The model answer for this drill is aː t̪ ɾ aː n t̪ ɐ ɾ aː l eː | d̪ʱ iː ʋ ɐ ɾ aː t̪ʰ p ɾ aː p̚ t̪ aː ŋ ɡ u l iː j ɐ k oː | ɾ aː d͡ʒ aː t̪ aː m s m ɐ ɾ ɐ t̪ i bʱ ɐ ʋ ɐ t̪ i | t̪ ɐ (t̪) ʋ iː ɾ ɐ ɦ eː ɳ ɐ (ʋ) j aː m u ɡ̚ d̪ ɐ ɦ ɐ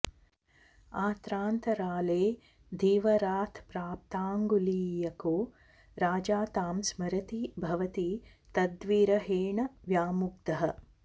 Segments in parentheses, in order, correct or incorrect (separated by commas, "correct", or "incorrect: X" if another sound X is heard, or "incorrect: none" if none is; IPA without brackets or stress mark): incorrect: d̪, correct